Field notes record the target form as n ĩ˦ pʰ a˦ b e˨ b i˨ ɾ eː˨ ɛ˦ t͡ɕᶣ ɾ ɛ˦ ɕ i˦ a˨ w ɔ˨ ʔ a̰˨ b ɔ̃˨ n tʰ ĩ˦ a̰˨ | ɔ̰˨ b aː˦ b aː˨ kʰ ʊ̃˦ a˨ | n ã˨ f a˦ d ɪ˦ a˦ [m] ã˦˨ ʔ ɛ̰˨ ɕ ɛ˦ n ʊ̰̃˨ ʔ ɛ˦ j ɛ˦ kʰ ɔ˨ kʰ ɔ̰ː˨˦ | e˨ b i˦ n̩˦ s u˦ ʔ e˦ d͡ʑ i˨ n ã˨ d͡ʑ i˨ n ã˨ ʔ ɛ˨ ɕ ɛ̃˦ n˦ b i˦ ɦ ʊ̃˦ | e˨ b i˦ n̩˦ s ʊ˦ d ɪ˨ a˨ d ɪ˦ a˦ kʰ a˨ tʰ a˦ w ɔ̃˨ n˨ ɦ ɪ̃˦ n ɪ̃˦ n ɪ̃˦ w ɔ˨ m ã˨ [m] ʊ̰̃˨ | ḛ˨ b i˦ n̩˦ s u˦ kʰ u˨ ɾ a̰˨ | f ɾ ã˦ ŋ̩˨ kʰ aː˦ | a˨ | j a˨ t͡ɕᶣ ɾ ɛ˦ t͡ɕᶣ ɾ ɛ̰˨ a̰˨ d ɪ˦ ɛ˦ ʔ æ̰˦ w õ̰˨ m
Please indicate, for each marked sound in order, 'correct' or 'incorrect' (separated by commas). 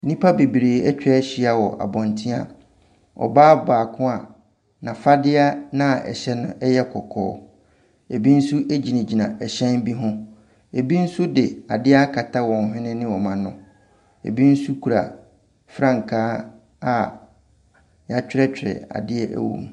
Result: incorrect, incorrect